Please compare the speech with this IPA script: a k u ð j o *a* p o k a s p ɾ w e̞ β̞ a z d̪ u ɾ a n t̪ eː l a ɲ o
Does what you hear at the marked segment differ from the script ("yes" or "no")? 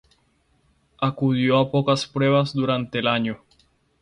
no